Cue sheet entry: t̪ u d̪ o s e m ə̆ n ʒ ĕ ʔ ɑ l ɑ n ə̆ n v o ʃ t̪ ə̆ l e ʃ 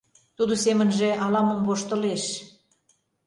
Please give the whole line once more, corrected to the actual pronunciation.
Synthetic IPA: t̪ u d̪ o s e m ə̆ n ʒ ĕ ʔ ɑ l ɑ m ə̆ m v o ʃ t̪ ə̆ l e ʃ